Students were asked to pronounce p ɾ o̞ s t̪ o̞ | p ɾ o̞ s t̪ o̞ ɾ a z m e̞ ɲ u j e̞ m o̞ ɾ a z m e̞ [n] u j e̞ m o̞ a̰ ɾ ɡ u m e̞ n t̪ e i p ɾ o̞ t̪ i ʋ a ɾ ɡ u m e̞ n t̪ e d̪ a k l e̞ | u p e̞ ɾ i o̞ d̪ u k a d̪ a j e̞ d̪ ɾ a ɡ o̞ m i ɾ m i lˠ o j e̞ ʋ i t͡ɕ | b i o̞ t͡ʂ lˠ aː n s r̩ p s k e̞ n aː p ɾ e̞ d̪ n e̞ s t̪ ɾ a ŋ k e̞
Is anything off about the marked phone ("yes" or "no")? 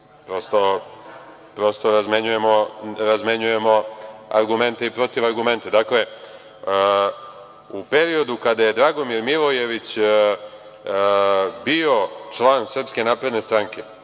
yes